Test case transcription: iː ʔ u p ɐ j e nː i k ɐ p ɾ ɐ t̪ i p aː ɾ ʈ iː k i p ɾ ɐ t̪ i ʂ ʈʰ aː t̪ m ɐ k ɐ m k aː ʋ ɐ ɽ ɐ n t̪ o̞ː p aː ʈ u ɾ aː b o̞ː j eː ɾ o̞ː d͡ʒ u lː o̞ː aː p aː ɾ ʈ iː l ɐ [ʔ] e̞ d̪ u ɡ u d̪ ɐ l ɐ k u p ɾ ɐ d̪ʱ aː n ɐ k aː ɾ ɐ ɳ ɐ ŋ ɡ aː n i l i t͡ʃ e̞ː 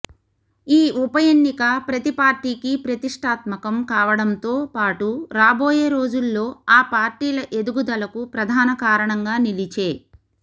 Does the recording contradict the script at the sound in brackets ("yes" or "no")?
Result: no